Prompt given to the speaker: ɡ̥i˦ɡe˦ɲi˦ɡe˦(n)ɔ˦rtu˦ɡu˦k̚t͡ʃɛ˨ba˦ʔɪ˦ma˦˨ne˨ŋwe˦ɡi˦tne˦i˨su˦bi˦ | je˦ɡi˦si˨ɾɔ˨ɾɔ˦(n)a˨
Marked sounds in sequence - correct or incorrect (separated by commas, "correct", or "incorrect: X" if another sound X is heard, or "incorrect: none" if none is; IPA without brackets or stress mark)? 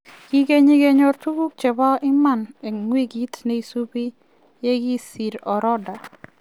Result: incorrect: ɲ, incorrect: d